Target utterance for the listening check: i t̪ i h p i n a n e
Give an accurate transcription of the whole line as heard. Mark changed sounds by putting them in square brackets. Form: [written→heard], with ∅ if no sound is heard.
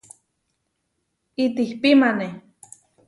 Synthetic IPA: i t̪ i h p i [n→m] a n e

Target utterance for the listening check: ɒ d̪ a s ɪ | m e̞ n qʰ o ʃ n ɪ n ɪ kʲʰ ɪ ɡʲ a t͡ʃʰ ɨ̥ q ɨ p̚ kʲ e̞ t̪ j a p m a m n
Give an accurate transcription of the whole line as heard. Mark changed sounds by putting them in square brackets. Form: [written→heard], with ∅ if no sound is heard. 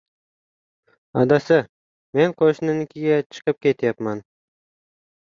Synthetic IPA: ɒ d̪ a s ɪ | m e̞ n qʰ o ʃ n ɪ n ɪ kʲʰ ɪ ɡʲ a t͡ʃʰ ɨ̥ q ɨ p̚ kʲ e̞ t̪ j a p m a [m→∅] n

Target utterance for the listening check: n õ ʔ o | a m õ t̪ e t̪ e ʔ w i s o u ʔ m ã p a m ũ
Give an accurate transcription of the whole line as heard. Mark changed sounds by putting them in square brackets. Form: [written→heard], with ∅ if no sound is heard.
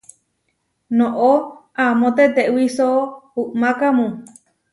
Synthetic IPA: n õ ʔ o | a m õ t̪ e t̪ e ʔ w i s o u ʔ m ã [p→k] a m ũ

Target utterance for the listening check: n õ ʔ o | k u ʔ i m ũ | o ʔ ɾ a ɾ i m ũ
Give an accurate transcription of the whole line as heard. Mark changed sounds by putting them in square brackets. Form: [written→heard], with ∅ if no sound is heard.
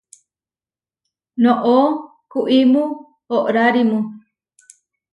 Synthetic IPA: n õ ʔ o | k u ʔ i m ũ | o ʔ ɾ a ɾ i m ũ

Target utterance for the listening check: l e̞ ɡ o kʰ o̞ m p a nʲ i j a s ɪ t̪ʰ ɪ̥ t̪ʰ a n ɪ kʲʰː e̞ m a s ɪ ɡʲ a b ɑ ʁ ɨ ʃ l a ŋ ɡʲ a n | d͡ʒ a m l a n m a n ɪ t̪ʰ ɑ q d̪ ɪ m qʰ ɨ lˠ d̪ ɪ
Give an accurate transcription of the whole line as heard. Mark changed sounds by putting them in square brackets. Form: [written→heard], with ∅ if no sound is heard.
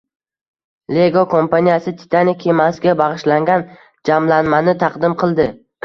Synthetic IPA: l e̞ ɡ o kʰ o̞ m p a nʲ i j a s ɪ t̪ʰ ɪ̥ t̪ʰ a n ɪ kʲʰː e̞ m a s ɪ ɡʲ a b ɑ ʁ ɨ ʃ l a ŋ ɡʲ a n | d͡ʒ a m l a n m a n ɪ t̪ʰ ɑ q d̪ ɪ m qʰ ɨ lˠ d̪ ɪ

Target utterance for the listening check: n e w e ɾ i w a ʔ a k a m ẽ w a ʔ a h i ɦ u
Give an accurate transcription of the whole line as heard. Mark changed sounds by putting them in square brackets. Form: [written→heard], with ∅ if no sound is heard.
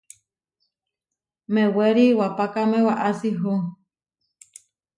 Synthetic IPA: [n→m] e w e ɾ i w a [ʔ→p] a k a m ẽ w a ʔ a [h→s] i ɦ u

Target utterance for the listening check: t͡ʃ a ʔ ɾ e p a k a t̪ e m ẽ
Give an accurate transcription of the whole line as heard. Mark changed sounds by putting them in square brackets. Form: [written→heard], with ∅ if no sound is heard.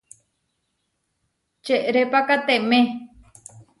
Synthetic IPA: t͡ʃ [a→e] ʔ ɾ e p a k a t̪ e m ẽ

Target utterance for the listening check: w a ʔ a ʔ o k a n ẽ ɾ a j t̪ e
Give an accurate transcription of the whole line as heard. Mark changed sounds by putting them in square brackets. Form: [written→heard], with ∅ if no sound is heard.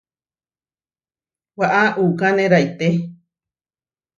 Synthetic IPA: w a ʔ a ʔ [o→u] k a n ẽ ɾ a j t̪ e

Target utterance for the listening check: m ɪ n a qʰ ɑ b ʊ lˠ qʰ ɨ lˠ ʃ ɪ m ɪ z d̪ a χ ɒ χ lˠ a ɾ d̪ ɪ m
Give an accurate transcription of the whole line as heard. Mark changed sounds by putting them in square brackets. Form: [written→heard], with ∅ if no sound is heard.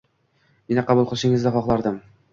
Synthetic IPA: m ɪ n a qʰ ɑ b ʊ lˠ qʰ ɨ lˠ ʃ ɪ [m→ŋ] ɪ z d̪ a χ ɒ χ lˠ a ɾ d̪ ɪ m

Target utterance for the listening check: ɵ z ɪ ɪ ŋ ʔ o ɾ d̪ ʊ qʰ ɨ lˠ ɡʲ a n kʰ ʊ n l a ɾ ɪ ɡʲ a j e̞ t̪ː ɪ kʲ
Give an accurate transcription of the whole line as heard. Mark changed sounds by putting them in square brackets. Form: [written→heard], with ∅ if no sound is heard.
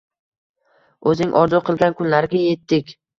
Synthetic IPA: ɵ z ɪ ɪ ŋ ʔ [o→ɒ] ɾ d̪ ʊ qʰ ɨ lˠ ɡʲ a n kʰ ʊ n l a ɾ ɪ ɡʲ a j e̞ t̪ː ɪ kʲ

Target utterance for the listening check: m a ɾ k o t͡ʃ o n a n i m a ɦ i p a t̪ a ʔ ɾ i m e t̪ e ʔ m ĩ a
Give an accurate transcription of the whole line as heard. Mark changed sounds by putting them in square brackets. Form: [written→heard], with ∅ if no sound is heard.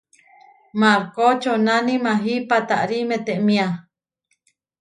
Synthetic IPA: m a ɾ k o t͡ʃ o n a n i m a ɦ i p a t̪ a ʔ ɾ i m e t̪ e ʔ m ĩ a

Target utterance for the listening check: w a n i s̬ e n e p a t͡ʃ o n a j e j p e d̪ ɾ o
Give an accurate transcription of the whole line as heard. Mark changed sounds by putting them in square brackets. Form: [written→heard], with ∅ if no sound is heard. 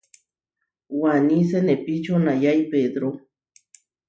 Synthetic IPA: w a n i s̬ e n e p [a→i] t͡ʃ o n a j [e→a] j p e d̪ ɾ o

